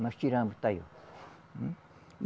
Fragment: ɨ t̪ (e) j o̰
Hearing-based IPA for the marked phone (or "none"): a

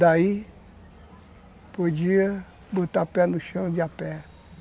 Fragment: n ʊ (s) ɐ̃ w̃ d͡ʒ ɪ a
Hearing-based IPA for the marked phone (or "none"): ʃ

